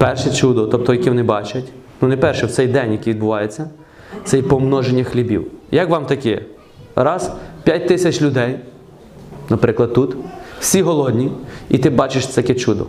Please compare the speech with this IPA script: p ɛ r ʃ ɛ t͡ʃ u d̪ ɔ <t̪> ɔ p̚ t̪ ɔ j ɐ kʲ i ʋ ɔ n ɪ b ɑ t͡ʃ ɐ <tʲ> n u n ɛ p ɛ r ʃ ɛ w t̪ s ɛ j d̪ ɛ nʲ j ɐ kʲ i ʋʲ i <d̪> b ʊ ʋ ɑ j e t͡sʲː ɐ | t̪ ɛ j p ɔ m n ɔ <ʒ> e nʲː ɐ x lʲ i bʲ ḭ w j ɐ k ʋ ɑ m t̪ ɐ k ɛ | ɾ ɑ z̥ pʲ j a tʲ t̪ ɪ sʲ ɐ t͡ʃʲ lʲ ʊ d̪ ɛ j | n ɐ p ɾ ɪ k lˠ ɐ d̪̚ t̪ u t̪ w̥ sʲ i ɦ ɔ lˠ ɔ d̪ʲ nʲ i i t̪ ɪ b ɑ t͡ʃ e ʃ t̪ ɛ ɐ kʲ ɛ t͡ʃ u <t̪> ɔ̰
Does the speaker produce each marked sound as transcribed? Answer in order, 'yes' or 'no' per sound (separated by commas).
yes, yes, yes, yes, no